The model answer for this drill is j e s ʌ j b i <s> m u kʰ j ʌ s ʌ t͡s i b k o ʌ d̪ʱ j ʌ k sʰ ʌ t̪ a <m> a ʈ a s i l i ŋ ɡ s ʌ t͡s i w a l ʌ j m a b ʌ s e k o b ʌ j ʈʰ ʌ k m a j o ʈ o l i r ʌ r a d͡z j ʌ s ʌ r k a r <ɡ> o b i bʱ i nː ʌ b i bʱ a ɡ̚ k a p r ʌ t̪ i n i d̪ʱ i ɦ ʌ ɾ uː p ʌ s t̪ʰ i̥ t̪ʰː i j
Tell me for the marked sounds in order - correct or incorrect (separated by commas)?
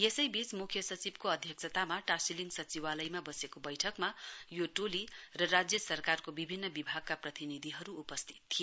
incorrect, correct, incorrect